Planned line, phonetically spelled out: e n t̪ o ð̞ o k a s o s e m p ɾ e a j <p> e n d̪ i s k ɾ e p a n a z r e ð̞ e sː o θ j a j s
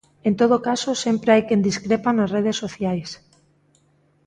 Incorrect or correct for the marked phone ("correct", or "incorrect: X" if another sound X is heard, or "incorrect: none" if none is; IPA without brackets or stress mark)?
incorrect: k